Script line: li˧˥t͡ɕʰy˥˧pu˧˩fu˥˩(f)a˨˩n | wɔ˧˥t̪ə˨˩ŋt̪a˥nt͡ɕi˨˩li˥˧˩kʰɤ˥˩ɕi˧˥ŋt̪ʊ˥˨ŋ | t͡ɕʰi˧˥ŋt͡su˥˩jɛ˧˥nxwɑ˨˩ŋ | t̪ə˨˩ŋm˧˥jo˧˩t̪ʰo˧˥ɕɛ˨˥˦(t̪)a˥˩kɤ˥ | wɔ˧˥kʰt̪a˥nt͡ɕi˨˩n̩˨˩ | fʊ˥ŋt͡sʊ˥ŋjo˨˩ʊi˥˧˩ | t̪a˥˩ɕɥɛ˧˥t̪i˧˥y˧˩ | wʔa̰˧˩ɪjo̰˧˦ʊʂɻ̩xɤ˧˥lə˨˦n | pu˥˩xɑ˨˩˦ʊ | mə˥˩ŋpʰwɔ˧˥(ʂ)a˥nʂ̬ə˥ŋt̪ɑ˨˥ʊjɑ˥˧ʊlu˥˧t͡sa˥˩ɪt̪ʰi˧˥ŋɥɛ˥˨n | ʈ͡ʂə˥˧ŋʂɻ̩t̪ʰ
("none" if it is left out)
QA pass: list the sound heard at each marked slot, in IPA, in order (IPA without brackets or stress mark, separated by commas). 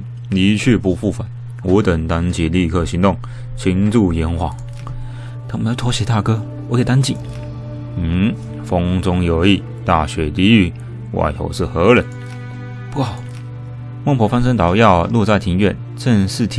f, t̪, f